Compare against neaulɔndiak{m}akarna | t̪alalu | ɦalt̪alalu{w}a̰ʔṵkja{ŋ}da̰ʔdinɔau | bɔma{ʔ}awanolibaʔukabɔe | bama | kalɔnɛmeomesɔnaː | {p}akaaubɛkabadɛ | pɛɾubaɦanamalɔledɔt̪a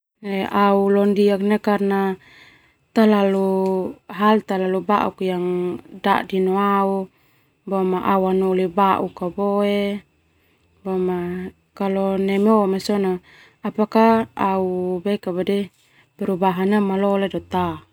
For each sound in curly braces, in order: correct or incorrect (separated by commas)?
incorrect, incorrect, correct, correct, correct